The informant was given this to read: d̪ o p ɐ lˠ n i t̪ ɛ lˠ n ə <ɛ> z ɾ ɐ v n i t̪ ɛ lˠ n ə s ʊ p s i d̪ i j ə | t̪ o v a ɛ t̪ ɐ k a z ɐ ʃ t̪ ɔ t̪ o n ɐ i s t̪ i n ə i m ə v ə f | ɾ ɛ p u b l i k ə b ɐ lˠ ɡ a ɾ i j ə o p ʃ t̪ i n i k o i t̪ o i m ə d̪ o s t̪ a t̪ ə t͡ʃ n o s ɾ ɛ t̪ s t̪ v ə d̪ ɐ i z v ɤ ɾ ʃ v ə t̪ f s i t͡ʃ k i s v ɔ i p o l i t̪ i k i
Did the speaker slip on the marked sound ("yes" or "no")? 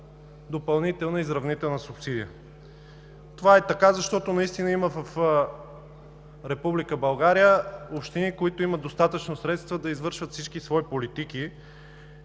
yes